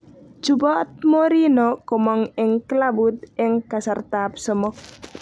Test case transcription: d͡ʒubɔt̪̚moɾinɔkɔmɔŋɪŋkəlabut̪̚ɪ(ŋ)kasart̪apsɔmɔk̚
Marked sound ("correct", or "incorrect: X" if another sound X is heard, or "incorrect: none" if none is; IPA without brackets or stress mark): correct